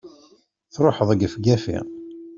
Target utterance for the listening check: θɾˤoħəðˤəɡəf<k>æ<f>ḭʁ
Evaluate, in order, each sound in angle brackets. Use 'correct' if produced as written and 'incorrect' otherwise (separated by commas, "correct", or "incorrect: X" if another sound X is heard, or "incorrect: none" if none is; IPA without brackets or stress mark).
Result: incorrect: ɡ, correct